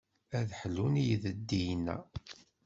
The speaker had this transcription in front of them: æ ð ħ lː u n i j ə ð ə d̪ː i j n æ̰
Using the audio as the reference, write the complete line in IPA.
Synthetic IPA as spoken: æ ð ħ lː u n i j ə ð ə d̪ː i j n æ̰